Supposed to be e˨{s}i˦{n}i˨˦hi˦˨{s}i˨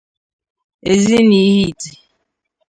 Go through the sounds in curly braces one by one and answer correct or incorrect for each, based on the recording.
incorrect: z, correct, incorrect: t

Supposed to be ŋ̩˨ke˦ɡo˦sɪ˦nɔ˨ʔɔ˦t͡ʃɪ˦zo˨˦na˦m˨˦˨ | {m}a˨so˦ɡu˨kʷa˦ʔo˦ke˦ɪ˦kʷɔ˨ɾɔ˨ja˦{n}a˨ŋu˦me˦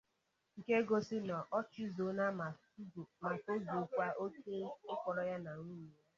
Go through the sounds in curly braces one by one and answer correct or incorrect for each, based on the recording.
correct, correct

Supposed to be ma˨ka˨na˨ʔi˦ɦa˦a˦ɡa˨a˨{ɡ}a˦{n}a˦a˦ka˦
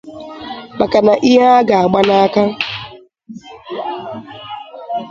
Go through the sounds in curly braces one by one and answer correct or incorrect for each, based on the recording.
incorrect: ɡ͡b, correct

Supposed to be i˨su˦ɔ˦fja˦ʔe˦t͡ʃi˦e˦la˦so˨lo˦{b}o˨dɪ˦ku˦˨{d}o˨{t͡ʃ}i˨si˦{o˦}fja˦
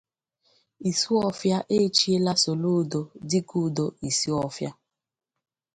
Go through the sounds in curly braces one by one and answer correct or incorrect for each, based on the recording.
incorrect: d, correct, incorrect: none, incorrect: ɔ˦

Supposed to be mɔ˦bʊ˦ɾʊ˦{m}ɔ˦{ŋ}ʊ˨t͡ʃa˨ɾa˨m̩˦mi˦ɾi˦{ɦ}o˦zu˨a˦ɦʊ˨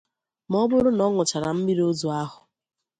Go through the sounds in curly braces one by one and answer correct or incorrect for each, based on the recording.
incorrect: n, correct, incorrect: none

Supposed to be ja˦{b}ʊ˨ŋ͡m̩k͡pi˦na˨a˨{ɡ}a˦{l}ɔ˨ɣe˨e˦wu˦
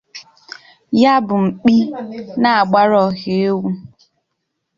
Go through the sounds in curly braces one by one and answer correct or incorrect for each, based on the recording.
correct, incorrect: ɡ͡b, incorrect: ɾ

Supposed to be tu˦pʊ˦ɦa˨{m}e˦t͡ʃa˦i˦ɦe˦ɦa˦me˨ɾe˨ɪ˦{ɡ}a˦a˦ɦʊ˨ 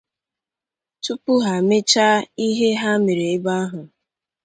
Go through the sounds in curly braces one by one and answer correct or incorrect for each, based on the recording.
correct, incorrect: b

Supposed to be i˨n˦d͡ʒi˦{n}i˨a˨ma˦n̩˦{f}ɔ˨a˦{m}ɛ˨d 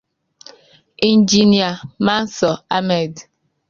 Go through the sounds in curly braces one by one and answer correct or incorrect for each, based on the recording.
correct, incorrect: s, correct

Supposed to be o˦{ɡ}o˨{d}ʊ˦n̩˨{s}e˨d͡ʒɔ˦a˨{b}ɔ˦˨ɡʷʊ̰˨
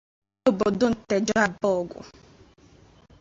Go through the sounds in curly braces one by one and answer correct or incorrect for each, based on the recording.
incorrect: b, correct, incorrect: t, correct

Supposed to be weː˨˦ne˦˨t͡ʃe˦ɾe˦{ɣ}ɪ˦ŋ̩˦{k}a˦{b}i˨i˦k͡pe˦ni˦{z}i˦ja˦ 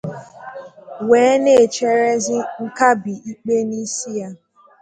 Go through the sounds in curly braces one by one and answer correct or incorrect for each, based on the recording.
incorrect: z, correct, correct, incorrect: s

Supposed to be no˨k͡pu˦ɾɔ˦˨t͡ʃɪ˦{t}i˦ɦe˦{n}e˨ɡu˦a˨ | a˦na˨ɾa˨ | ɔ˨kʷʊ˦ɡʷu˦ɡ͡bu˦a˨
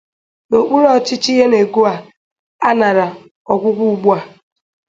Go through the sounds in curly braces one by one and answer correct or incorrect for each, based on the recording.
incorrect: t͡ʃ, correct

